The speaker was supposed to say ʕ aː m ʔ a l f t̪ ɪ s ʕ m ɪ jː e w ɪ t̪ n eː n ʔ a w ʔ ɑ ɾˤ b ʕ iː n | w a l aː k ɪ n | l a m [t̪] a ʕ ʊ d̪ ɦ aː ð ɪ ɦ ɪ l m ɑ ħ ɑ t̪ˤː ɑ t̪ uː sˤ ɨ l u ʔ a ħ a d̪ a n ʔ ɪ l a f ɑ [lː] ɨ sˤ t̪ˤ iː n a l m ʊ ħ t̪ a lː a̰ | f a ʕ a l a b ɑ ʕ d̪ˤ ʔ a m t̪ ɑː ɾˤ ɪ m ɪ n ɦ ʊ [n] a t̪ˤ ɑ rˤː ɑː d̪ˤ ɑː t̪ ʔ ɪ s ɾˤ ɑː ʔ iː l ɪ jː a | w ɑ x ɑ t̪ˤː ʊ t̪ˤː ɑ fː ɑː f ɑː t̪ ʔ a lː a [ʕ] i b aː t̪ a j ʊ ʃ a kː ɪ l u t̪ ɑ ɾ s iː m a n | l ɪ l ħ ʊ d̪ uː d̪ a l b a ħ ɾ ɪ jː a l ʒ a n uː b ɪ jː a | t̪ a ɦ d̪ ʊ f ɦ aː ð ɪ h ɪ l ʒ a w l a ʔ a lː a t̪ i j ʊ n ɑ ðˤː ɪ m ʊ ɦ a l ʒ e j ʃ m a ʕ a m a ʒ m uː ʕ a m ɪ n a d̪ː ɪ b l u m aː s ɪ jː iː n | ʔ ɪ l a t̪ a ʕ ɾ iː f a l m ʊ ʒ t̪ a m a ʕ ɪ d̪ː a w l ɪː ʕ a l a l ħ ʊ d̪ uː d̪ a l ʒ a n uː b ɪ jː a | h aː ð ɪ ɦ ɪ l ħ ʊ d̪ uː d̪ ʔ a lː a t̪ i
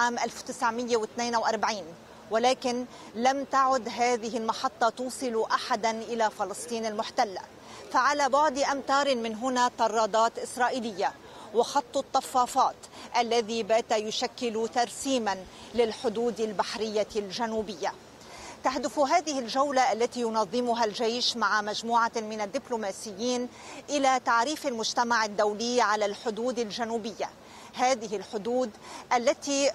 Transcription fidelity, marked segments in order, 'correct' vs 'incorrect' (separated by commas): correct, incorrect, correct, incorrect